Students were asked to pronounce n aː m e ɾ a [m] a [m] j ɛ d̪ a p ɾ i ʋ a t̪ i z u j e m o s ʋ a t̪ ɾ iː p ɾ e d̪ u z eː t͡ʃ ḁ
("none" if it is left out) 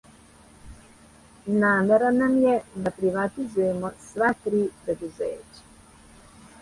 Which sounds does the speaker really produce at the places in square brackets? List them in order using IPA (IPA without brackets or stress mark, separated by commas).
n, m